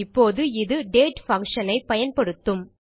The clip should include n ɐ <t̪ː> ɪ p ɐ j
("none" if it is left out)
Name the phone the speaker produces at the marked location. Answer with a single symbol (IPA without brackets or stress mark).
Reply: none